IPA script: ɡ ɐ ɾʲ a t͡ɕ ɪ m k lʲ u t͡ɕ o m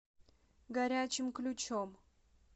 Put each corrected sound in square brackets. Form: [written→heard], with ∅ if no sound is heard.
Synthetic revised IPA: ɡ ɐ ɾʲ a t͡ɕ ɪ m k lʲ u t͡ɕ o m